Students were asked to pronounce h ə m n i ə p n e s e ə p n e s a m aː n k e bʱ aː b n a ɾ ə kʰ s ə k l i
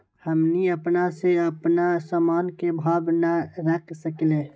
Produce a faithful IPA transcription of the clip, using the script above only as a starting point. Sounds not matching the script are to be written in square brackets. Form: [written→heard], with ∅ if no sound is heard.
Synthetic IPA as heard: h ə m n i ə p n [e→a] s e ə p n [e→a] s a m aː n k e bʱ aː b n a ɾ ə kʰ s ə k l [i→e]